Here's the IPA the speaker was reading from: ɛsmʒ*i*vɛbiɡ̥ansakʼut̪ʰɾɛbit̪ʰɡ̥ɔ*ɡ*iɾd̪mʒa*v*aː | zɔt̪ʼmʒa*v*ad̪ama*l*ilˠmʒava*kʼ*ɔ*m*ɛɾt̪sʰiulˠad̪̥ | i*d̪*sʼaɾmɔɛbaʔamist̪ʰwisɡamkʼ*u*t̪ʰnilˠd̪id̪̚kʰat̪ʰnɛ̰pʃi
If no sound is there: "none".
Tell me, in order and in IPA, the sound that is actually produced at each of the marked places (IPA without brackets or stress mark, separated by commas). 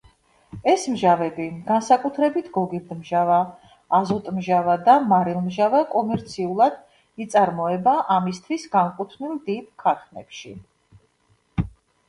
a, ɡ, v, v, ɾ, kʼ, m, t̪, u